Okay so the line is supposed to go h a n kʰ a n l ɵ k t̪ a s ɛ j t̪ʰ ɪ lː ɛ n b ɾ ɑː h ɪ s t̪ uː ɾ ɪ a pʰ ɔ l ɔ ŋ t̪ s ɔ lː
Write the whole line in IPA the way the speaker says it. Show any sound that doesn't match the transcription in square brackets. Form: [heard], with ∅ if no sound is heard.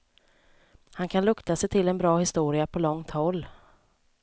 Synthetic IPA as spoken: h a n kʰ a n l ɵ k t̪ a s ɛ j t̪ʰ ɪ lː ɛ n b ɾ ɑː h ɪ s t̪ uː ɾ ɪ a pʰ ɔ l ɔ ŋ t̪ [h] ɔ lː